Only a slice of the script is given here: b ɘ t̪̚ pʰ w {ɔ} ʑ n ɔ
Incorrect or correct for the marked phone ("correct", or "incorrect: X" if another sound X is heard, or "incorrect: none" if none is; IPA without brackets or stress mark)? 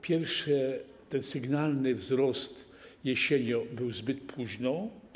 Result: incorrect: u